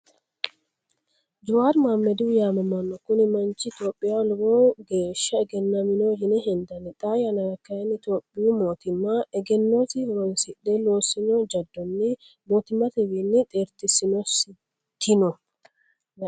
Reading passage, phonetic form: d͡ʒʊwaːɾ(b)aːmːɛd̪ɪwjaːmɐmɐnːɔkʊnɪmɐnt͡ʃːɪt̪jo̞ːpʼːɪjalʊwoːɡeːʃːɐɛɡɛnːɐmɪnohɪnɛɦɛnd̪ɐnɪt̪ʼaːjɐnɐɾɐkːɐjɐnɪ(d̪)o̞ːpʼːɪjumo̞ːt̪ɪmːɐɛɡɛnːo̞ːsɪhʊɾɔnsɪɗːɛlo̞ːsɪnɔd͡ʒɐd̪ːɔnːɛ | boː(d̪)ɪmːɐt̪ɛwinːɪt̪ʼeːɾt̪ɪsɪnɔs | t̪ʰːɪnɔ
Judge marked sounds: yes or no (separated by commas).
no, no, no